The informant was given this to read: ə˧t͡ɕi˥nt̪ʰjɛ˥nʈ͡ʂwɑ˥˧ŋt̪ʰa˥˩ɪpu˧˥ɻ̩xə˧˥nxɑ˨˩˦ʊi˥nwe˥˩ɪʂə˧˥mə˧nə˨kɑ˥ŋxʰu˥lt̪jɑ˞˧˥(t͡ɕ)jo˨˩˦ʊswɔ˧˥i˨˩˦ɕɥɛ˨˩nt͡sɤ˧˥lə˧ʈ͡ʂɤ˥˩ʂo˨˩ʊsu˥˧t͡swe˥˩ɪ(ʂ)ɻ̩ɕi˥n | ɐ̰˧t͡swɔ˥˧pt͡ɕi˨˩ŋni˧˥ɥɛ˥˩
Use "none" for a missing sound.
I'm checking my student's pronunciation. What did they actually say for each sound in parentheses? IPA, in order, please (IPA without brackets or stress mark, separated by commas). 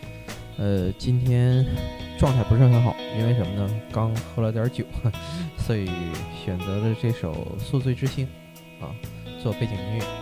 t͡ɕ, ʈ͡ʂ